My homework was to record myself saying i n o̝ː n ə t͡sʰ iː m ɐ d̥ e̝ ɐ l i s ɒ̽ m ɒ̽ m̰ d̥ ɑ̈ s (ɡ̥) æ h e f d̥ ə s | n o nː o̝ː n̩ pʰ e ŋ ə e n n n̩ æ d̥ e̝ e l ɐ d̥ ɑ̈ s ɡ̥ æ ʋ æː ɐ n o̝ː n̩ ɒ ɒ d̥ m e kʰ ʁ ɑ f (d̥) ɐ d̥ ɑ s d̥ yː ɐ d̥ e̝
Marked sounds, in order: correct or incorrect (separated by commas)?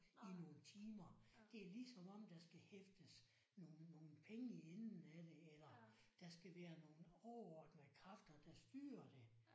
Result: correct, correct